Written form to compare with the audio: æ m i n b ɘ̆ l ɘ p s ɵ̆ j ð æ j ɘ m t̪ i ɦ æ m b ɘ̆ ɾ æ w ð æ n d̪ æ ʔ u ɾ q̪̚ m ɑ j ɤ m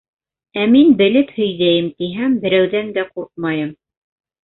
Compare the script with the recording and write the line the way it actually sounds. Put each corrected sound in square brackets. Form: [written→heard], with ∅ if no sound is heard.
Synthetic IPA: æ m i n b ɘ̆ l ɘ p [s→h] ɵ̆ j ð æ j ɘ m t̪ i ɦ æ m b ɘ̆ ɾ æ w ð æ n d̪ æ [ʔ→q] u ɾ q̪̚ m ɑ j ɤ m

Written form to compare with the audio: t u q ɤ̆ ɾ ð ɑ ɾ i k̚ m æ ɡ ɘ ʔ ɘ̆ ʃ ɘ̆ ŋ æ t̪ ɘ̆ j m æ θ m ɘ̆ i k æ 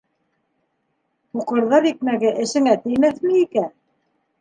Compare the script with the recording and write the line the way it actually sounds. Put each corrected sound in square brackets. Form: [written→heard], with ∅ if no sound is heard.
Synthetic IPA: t u q ɤ̆ ɾ ð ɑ ɾ i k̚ m æ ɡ ɘ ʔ ɘ̆ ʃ ɘ̆ ŋ æ t̪ ɘ̆ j m æ θ m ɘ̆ i k æ

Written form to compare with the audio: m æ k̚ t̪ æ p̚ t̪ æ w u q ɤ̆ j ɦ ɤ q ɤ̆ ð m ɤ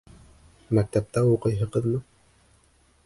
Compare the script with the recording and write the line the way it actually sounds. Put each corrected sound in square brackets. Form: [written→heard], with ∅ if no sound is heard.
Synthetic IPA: m æ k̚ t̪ æ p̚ t̪ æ w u q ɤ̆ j ɦ ɤ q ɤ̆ ð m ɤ

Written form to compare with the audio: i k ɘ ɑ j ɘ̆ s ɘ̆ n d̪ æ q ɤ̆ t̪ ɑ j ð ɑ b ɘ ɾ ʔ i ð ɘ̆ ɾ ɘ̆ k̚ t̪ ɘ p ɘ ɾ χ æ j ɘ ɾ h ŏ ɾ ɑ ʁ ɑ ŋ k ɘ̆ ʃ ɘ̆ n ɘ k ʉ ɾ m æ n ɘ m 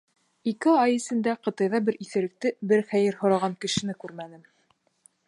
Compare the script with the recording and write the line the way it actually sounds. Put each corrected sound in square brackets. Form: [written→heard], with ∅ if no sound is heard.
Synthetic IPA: i k ɘ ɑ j ɘ̆ s ɘ̆ n d̪ æ q ɤ̆ t̪ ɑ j ð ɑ b ɘ ɾ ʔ i [ð→θ] ɘ̆ ɾ ɘ̆ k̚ t̪ ɘ [p→b] ɘ ɾ χ æ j ɘ ɾ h ŏ ɾ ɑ ʁ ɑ ŋ k ɘ̆ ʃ ɘ̆ n ɘ k ʉ ɾ m æ n ɘ m

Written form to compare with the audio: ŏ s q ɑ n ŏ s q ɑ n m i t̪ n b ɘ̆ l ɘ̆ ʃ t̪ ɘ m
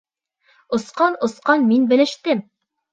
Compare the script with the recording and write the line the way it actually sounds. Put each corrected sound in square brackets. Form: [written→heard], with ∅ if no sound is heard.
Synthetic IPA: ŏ s q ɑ n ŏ s q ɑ n m i [t̪→∅] n b ɘ̆ l ɘ̆ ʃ t̪ ɘ m

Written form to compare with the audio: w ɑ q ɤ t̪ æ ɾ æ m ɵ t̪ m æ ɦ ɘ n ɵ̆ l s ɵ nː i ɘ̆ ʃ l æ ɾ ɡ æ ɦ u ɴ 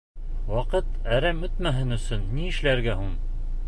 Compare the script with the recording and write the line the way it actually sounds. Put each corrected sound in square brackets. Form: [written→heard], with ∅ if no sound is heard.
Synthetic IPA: w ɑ q ɤ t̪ æ ɾ æ m ɵ t̪ m æ ɦ ɘ n ɵ̆ [l→∅] s ɵ nː i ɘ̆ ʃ l æ ɾ ɡ æ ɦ u ɴ

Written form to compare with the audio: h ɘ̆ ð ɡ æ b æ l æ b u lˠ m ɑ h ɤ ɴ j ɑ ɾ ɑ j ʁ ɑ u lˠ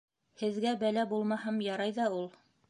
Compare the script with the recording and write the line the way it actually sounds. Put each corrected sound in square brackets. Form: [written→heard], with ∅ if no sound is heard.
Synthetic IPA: h ɘ̆ ð ɡ æ b æ l æ b u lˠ m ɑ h ɤ [ɴ→m] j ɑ ɾ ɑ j [ʁ→ð] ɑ u lˠ

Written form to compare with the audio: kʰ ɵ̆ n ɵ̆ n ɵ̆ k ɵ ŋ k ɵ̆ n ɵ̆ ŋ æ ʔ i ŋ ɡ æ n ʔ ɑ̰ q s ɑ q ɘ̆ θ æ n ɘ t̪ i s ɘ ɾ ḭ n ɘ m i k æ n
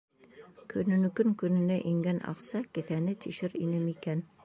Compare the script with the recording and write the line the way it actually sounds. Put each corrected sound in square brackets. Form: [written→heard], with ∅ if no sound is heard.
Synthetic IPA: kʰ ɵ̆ n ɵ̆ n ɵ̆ k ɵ ŋ k ɵ̆ n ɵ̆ [ŋ→n] æ ʔ i ŋ ɡ æ n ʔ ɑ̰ q s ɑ [q→k] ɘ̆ θ æ n ɘ t̪ i [s→ʃ] ɘ ɾ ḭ n ɘ m i k æ n

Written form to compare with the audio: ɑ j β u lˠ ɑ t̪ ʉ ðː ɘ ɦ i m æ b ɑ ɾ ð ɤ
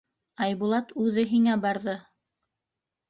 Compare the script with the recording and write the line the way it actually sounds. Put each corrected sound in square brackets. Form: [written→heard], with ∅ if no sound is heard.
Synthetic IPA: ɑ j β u lˠ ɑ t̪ ʉ [ðː→ð] ɘ ɦ i [m→ŋ] æ b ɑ ɾ ð ɤ

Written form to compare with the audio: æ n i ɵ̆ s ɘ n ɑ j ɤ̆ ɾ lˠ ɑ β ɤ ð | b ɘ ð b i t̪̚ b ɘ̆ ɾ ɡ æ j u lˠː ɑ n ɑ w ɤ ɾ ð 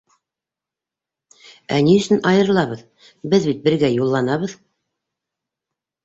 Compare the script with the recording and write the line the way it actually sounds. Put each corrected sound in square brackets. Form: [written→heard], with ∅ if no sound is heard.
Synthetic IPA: æ n i ɵ̆ s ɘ n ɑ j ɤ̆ ɾ lˠ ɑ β ɤ ð | b ɘ ð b i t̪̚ b ɘ̆ ɾ ɡ æ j u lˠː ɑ n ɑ [w→β] ɤ [ɾ→∅] ð

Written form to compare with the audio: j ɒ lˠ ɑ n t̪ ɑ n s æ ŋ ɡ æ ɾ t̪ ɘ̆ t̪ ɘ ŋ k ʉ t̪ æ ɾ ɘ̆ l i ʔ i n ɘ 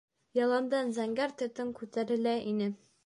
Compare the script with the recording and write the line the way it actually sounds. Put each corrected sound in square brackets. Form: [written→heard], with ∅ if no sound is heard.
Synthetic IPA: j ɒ lˠ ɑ n [t̪→d̪] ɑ n [s→z] æ ŋ ɡ æ ɾ t̪ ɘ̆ t̪ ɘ ŋ k ʉ t̪ æ ɾ ɘ̆ l [i→æ] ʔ i n ɘ

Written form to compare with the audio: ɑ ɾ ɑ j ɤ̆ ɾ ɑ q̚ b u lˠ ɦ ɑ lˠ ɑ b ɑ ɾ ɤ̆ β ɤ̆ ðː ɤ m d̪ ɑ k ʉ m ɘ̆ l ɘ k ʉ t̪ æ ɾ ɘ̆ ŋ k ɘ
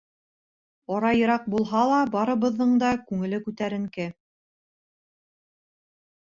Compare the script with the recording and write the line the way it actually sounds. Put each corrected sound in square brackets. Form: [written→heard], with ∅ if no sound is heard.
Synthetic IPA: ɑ ɾ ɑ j ɤ̆ ɾ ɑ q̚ b u lˠ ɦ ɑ lˠ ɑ b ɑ ɾ ɤ̆ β ɤ̆ ðː ɤ [m→ɴ] d̪ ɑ k ʉ [m→ŋ] ɘ̆ l ɘ k ʉ t̪ æ ɾ ɘ̆ ŋ k ɘ

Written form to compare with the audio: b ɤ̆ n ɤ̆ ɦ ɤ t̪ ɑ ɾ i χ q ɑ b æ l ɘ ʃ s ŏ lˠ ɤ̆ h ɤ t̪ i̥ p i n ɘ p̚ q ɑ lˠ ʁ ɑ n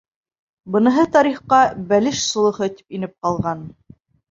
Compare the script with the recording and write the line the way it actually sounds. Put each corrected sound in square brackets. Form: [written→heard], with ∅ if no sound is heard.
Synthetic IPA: b ɤ̆ n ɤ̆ ɦ ɤ t̪ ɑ ɾ i χ q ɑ b æ l ɘ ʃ s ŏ lˠ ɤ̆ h ɤ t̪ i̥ p i n ɘ p̚ q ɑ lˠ ʁ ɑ n

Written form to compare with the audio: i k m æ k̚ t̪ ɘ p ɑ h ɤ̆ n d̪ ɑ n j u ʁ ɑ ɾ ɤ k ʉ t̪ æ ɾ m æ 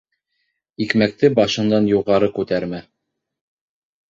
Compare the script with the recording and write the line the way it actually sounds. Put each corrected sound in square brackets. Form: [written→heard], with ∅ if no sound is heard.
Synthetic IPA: i k m æ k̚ t̪ ɘ [p→b] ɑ [h→ʃ] ɤ̆ n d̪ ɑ n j u ʁ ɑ ɾ ɤ k ʉ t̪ æ ɾ m æ

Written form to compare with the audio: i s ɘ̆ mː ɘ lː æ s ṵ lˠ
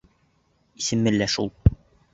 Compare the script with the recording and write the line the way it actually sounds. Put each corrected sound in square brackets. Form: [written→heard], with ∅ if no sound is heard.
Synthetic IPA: i s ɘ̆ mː ɘ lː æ [s→ʃ] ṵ lˠ

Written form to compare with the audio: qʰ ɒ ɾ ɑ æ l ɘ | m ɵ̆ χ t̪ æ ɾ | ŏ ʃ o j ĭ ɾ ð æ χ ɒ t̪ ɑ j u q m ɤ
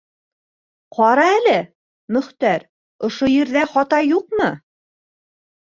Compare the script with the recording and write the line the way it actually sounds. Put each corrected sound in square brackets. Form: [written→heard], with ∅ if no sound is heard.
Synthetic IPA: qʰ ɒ ɾ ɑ æ l ɘ | m ɵ̆ χ t̪ æ ɾ | ŏ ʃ o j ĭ ɾ ð æ χ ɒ t̪ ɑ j u q m ɤ

